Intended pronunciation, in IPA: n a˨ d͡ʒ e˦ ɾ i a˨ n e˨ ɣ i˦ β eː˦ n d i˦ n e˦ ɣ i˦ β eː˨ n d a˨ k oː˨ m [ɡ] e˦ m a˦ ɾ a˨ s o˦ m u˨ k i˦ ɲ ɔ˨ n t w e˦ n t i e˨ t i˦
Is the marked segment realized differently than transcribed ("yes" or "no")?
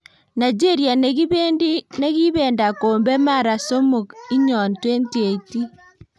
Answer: yes